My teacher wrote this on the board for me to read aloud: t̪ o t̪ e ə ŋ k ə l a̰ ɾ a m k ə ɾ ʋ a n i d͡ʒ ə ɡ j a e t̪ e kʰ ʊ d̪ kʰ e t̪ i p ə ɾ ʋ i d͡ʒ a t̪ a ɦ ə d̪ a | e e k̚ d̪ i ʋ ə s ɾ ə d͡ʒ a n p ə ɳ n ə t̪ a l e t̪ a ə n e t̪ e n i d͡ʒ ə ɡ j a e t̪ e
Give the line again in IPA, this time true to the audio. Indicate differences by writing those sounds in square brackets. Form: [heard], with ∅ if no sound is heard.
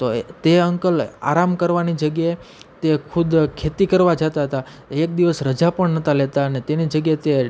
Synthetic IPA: t̪ o t̪ e ə ŋ k ə l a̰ ɾ a m k ə ɾ ʋ a n i d͡ʒ ə ɡ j a e t̪ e kʰ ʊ d̪ kʰ e t̪ i [k] ə ɾ ʋ [a] d͡ʒ a t̪ a ɦ ə [t̪] a | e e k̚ d̪ i ʋ ə s ɾ ə d͡ʒ a [∅] p ə ɳ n ə t̪ a l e t̪ a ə n e t̪ e n i d͡ʒ ə ɡ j a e t̪ e

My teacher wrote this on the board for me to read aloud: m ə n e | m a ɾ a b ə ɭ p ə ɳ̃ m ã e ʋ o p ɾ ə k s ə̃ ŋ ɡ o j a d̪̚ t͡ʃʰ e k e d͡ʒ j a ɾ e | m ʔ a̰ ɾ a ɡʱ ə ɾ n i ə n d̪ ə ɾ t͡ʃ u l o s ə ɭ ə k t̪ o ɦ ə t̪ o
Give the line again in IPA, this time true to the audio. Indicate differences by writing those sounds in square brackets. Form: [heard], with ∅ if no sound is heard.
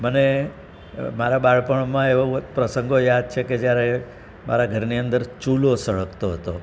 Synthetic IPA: m ə n e | m a ɾ a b [a] ɭ p ə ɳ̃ m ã e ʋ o p ɾ ə [∅] s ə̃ ŋ ɡ o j a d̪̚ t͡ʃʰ e k e d͡ʒ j a ɾ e | m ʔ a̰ ɾ a ɡʱ ə ɾ n i ə n d̪ ə ɾ t͡ʃ u l o s ə ɭ ə k t̪ o ɦ ə t̪ o

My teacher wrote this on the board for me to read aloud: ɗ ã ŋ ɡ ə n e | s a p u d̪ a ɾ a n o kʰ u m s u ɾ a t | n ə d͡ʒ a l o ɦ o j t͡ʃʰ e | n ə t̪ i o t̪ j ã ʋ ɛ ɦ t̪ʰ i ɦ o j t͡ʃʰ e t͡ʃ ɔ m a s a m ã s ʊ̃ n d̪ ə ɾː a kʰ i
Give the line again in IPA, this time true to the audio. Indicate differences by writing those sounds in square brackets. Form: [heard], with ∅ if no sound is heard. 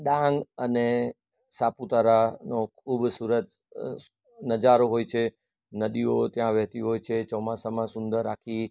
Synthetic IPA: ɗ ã ŋ ɡ ə n e | s a p u [t̪] a ɾ a n o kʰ u [b] s u ɾ [ə] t | n ə d͡ʒ a [ɾ] o ɦ o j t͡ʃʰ e | n ə [d̪] i o t̪ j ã ʋ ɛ ɦ [t̪] i ɦ o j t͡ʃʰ e t͡ʃ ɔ m a s a m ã s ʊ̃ n d̪ ə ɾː a kʰ i

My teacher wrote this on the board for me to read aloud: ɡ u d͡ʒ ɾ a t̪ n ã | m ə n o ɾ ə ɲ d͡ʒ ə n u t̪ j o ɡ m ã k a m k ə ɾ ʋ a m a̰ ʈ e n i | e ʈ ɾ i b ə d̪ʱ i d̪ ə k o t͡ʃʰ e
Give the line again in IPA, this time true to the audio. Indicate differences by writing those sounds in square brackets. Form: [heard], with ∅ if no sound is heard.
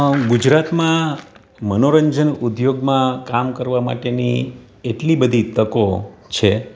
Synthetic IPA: ɡ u d͡ʒ ɾ a t̪ [m] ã | m ə n o ɾ ə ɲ d͡ʒ ə n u [d̪] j o ɡ m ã k a m k ə ɾ ʋ a m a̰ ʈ e n i | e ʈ [l] i b ə d̪ʱ i [t̪] ə k o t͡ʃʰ e

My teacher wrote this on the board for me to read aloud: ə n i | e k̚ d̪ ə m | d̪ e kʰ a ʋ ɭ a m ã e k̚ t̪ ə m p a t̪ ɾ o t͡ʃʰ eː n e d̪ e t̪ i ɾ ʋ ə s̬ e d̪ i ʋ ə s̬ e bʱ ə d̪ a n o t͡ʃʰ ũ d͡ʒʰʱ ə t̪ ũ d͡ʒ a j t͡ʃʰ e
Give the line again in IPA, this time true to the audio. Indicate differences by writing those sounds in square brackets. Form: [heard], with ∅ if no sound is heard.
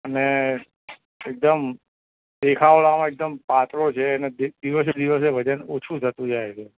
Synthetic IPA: ə n [e] | e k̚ d̪ ə m | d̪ e kʰ a ʋ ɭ a m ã e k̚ [d̪] ə m p a t̪ ɾ o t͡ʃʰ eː n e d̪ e [d̪] i [∅] ʋ ə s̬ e d̪ i ʋ ə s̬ e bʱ ə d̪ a n o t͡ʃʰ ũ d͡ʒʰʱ ə t̪ ũ d͡ʒ a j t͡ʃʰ e

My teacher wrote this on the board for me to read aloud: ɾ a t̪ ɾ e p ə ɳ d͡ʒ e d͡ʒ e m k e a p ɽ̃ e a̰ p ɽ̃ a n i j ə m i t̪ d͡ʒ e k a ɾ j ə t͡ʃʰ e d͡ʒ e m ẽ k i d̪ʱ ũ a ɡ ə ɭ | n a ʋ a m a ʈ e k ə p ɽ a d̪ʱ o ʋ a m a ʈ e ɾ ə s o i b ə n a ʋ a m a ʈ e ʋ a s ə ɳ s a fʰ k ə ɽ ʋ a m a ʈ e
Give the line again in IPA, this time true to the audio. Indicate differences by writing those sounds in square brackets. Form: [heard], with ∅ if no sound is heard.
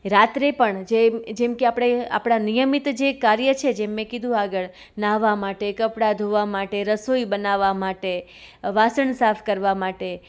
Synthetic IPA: ɾ a t̪ ɾ e p ə ɳ d͡ʒ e d͡ʒ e m k e a p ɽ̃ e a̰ p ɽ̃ a n i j ə m i t̪ d͡ʒ e k a ɾ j ə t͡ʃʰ e d͡ʒ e m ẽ k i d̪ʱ ũ a ɡ ə ɭ | n a ʋ a m a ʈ e k ə p ɽ a d̪ʱ o ʋ a m a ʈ e ɾ ə s o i b ə n a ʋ a m a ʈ e ʋ a s ə ɳ s a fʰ k ə [ɾ] ʋ a m a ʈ e

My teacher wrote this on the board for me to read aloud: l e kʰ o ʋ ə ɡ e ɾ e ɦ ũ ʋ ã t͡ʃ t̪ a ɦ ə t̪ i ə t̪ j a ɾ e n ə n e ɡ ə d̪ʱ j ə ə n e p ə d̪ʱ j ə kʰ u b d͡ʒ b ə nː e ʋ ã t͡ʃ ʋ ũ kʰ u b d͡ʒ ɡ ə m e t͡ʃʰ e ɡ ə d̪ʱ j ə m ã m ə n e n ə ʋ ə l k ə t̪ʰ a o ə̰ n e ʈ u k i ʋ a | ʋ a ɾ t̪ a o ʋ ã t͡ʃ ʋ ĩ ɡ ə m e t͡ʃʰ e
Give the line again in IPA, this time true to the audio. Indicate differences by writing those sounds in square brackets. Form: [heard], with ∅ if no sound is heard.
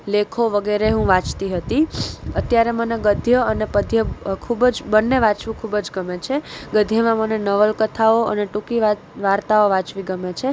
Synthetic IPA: l e kʰ o ʋ ə ɡ e ɾ e ɦ ũ ʋ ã t͡ʃ t̪ [i] ɦ ə t̪ i ə t̪ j a ɾ e [m] ə n e ɡ ə d̪ʱ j ə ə n e p ə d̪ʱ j ə kʰ u b d͡ʒ b ə nː e ʋ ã t͡ʃ ʋ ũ kʰ u b d͡ʒ ɡ ə m e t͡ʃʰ e ɡ ə d̪ʱ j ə m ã m ə n e n ə ʋ ə l k ə t̪ʰ a o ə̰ n e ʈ u k i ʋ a | ʋ a ɾ t̪ a o ʋ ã t͡ʃ ʋ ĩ ɡ ə m e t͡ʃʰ e

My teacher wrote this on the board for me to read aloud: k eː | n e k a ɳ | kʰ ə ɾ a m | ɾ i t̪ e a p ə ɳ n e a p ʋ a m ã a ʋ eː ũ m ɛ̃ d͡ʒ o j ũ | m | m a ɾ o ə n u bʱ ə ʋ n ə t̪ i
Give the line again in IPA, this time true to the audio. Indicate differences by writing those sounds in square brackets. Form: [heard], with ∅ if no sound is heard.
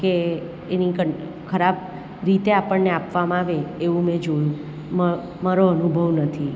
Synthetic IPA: k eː | n [i] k [ə] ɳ | kʰ ə ɾ a [b] | ɾ i t̪ e a p ə ɳ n e a p ʋ a m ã a ʋ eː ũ m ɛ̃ d͡ʒ o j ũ | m | m a ɾ o ə n u bʱ ə ʋ n ə [t̪ʰ] i

